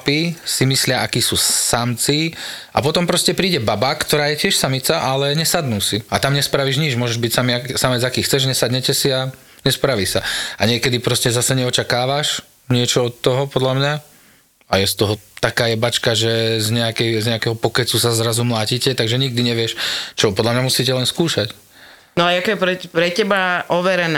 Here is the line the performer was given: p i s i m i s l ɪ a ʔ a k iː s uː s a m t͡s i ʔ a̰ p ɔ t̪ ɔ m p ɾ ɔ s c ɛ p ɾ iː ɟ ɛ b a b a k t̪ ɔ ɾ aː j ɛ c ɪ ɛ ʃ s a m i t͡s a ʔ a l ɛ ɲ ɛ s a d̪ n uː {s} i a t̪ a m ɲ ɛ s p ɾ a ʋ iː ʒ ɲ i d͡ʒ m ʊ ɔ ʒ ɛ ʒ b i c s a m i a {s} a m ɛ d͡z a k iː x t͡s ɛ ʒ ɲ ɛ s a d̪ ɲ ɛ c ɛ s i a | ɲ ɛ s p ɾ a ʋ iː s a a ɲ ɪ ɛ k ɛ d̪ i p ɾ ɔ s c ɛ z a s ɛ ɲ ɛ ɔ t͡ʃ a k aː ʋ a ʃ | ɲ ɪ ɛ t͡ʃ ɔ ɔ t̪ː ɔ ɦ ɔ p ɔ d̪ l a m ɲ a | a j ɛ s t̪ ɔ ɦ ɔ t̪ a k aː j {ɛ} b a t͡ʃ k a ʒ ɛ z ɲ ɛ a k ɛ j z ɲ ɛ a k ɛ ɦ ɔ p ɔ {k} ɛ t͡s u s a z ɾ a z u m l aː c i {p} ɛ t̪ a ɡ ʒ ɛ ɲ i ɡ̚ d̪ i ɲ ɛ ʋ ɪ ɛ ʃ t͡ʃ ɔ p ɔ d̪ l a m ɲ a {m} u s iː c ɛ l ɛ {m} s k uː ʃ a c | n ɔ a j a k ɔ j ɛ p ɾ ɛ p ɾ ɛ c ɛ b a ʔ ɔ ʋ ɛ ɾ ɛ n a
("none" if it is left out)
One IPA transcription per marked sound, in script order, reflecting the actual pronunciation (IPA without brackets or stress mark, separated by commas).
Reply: s, s, ɛ, k, c, m, n